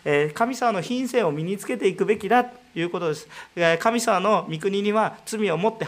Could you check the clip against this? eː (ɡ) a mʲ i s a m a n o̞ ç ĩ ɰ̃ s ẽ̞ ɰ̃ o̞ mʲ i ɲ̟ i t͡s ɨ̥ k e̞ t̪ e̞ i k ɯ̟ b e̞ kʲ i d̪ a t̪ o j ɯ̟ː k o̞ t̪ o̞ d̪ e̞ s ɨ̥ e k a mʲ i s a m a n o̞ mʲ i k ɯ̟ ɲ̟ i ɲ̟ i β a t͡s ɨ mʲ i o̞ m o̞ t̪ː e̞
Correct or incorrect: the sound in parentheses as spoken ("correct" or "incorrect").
incorrect